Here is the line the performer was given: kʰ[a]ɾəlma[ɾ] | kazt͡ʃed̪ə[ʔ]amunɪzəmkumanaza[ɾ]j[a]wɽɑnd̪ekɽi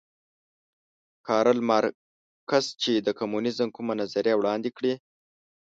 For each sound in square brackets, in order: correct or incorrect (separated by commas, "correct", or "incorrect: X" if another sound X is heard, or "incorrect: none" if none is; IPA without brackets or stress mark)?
incorrect: ɑ, correct, incorrect: k, correct, correct